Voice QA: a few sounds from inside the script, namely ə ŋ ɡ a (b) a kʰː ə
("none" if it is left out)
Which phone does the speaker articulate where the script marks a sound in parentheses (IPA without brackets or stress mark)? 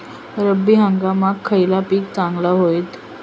m